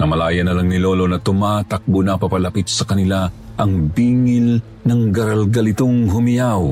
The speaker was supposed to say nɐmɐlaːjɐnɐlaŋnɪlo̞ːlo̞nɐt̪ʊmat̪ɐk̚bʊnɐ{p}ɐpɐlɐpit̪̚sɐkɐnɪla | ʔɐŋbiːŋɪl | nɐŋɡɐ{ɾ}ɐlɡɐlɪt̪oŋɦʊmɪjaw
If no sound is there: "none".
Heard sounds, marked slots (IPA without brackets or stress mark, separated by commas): p, ɾ